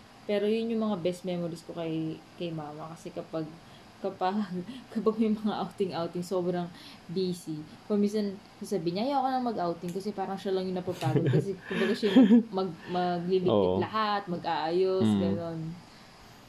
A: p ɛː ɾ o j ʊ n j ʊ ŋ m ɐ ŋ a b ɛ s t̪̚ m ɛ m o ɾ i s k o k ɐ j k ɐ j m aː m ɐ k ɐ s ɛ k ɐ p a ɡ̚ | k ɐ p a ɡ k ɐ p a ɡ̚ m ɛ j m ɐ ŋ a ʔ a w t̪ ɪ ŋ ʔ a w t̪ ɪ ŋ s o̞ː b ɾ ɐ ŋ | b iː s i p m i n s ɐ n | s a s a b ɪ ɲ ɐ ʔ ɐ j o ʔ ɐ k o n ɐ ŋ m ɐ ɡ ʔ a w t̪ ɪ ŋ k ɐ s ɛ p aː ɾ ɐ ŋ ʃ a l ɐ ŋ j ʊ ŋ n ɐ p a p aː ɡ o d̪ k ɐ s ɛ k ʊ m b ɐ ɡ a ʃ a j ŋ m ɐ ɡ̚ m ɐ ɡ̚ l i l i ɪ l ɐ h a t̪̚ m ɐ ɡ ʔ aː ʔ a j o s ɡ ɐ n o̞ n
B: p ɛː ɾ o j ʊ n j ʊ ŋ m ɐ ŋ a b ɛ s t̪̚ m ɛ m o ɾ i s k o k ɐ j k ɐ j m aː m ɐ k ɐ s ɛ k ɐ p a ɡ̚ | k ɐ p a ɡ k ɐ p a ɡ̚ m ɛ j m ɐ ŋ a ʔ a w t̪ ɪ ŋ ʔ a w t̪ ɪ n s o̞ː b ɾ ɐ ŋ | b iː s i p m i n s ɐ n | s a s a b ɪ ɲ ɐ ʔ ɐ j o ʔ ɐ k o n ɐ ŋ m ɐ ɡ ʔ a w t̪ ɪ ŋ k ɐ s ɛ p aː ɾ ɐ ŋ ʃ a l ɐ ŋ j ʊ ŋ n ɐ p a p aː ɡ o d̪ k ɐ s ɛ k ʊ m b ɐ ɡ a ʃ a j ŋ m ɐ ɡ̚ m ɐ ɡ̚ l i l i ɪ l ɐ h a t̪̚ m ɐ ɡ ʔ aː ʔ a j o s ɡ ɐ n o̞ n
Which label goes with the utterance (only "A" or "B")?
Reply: A